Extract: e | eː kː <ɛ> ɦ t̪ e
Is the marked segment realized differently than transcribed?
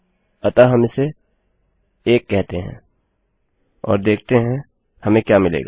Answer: no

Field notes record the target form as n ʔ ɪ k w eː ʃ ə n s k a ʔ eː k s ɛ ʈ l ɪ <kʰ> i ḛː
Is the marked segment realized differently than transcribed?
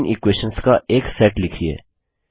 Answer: no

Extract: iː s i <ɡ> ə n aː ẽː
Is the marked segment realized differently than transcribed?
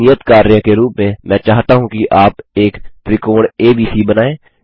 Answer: yes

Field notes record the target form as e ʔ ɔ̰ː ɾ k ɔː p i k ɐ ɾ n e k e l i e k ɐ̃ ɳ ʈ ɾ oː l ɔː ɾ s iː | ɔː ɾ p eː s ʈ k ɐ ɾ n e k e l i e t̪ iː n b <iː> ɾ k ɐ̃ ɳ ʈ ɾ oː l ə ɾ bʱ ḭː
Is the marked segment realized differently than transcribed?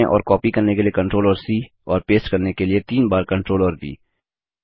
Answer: yes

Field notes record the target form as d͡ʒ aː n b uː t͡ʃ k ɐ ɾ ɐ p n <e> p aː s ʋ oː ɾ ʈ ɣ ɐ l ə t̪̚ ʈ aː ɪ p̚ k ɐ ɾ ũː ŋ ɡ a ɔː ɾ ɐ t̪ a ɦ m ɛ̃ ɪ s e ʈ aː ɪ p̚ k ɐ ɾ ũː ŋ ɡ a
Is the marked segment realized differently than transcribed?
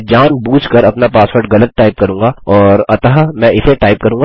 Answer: yes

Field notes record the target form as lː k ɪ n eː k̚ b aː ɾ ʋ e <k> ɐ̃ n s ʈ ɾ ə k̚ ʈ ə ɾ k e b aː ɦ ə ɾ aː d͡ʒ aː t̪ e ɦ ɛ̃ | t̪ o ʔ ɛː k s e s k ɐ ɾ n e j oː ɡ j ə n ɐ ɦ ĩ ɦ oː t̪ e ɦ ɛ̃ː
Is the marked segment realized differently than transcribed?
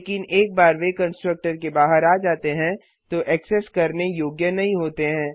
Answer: no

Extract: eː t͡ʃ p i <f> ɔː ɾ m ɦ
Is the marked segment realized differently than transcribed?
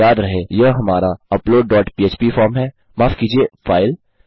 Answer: no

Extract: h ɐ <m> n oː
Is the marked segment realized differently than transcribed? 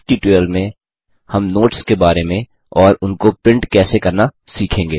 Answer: no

